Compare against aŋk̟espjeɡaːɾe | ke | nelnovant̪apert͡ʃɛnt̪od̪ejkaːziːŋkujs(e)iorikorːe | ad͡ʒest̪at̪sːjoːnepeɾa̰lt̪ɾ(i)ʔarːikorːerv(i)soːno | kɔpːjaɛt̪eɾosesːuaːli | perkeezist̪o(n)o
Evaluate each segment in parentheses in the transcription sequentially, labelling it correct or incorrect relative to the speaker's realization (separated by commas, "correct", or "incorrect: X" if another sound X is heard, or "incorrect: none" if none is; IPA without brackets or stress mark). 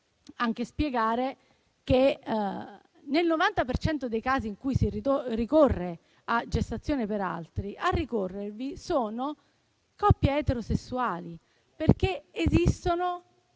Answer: incorrect: i, correct, correct, correct